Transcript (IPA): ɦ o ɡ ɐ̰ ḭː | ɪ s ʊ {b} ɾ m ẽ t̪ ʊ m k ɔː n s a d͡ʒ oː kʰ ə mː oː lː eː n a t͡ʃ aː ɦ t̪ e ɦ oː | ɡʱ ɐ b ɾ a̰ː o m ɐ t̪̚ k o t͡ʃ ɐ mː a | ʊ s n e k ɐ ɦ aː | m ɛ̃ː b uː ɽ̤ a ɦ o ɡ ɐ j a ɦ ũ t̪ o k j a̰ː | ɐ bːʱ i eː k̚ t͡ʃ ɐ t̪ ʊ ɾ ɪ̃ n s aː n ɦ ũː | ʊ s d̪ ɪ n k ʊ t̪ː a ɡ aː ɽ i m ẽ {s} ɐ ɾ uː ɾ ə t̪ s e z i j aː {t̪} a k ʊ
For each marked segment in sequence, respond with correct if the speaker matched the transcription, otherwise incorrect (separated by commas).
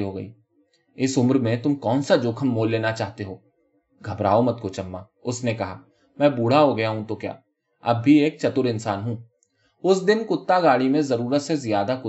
incorrect, incorrect, incorrect